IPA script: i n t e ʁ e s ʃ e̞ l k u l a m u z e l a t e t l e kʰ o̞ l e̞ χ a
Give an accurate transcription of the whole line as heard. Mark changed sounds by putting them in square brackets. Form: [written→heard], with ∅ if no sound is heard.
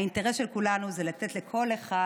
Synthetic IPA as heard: i n t e ʁ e s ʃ e̞ l k u l a [m→n] u z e l a t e t l e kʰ o̞ l e̞ χ a